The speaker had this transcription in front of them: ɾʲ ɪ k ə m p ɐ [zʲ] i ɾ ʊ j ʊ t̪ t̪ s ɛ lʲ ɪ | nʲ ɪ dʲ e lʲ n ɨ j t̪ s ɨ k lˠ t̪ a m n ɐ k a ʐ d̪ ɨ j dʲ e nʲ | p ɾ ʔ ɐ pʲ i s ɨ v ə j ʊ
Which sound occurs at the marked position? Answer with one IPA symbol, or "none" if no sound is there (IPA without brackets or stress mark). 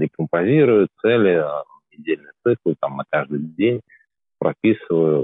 zʲ